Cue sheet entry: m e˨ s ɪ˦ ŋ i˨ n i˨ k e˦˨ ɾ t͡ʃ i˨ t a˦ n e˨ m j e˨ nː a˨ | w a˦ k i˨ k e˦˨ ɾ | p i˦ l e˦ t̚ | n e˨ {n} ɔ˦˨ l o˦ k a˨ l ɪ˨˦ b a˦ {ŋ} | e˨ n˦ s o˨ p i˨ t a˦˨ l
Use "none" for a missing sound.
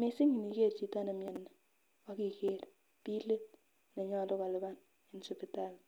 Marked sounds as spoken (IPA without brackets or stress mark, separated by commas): ɲ, n